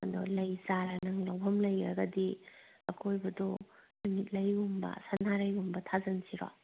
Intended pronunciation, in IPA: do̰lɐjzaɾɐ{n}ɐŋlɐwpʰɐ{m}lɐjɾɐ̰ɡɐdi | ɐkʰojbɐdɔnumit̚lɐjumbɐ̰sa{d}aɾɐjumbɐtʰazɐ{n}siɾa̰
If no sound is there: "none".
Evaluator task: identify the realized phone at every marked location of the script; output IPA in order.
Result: n, m, n, n

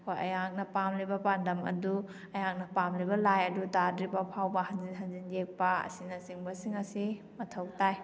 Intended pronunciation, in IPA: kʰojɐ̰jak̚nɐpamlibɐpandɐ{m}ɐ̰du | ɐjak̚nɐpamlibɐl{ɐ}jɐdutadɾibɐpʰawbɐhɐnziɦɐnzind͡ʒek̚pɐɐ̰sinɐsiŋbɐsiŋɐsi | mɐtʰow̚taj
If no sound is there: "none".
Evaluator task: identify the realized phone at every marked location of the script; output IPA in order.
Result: m, a

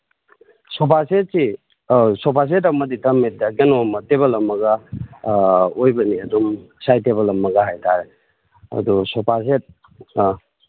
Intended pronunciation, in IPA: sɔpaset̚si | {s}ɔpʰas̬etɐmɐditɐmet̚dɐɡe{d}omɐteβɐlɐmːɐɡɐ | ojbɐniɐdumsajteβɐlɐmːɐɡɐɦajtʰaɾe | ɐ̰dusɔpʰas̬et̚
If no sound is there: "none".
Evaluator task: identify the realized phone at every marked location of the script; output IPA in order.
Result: s, n

